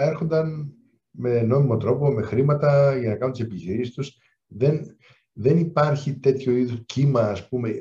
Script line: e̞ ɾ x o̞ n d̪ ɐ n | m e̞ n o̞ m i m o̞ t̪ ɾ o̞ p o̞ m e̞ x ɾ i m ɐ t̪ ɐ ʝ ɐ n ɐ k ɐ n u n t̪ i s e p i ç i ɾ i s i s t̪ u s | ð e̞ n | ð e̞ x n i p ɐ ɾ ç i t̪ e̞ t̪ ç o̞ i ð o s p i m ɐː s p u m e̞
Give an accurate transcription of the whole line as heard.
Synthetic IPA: e̞ ɾ x o̞ n d̪ ɐ n | m e̞ n o̞ m i m o̞ t̪ ɾ o̞ p o̞ m e̞ x ɾ i m ɐ t̪ ɐ ʝ ɐ n ɐ k ɐ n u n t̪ i s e p i ç i ɾ i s i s t̪ u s | ð e̞ n | ð e̞ n i p ɐ ɾ ç i t̪ e̞ t̪ ç o̞ i ð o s c i m ɐː s p u m e̞